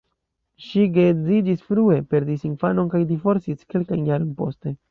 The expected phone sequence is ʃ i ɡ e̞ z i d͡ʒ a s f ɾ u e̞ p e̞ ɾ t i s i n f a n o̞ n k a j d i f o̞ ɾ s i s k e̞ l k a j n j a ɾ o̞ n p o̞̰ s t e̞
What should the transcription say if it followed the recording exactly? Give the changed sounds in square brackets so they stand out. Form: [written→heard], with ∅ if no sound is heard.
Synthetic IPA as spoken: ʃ i ɡ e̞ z i d͡ʒ [a→i] s f ɾ u e̞ p e̞ ɾ [t→d] i s i n f a n o̞ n k a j d i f o̞ ɾ s i s k e̞ l k a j n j a ɾ o̞ n p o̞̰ s t e̞